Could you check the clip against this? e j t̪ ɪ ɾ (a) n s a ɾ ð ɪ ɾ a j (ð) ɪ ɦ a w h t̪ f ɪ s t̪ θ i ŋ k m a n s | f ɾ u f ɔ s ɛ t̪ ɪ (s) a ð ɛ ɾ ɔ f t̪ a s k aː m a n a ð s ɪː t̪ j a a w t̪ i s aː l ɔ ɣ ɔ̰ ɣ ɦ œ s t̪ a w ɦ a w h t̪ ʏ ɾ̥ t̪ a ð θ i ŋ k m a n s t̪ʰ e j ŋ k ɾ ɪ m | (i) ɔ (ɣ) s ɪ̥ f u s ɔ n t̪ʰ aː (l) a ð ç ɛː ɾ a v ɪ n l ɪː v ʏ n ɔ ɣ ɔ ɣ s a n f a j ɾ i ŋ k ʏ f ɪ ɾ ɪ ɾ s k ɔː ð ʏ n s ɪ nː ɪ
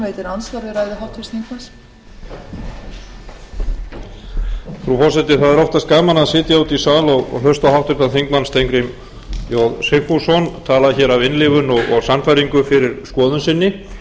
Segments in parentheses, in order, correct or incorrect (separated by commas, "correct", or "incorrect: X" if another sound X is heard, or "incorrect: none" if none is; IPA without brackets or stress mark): correct, correct, incorrect: θ, incorrect: j, incorrect: ð, correct